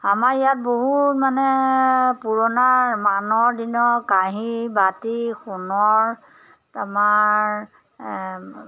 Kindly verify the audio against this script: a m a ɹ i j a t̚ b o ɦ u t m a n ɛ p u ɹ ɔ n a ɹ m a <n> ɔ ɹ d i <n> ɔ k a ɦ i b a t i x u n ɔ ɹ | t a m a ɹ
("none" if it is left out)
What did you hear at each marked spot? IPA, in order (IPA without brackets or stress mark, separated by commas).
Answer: n, n